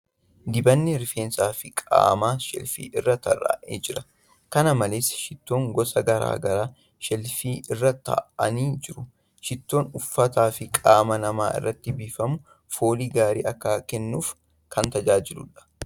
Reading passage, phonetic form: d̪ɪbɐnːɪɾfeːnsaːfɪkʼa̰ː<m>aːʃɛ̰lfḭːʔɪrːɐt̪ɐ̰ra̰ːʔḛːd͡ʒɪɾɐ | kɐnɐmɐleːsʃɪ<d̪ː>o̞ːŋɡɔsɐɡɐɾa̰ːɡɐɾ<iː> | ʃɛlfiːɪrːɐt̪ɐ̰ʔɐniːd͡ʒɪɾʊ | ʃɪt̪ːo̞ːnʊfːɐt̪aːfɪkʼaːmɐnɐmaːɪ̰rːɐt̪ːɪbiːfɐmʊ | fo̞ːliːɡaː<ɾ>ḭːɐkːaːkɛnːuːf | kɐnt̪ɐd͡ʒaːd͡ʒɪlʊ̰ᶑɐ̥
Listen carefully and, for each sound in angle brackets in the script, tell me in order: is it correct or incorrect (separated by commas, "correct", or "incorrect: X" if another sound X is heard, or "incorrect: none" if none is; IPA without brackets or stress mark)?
correct, incorrect: t̪ː, incorrect: aː, correct